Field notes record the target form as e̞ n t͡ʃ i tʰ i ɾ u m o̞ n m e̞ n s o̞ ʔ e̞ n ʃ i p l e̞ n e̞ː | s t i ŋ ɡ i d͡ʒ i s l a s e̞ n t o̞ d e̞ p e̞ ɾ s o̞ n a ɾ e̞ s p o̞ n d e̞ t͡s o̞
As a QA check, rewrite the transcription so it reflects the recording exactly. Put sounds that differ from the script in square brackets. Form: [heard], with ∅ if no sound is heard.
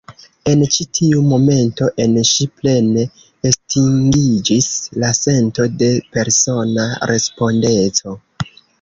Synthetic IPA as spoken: e̞ n t͡ʃ i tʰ i [∅] u m o̞ [∅] m e̞ n [t] o̞ ʔ e̞ n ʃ i p l e̞ n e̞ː | s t i ŋ ɡ i d͡ʒ i s l a s e̞ n t o̞ d e̞ p e̞ ɾ s o̞ n a ɾ e̞ s p o̞ n d e̞ t͡s o̞